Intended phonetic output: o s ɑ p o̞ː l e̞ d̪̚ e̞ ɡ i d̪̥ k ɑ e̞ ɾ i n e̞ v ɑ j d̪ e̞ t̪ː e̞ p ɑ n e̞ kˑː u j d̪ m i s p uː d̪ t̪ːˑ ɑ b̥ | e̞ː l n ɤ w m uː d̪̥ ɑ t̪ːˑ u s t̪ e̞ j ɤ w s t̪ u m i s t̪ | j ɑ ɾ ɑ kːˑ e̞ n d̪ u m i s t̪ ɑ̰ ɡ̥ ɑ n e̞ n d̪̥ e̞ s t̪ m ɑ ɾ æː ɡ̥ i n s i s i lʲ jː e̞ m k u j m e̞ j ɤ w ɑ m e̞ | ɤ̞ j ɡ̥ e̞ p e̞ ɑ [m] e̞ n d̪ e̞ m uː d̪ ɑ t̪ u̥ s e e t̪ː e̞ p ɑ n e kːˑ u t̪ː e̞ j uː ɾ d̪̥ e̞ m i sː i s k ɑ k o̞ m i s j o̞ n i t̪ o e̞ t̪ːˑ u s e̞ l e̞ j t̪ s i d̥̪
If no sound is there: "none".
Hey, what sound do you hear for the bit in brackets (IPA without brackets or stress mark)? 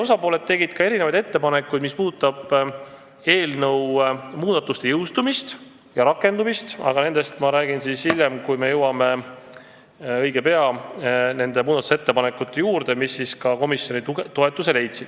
n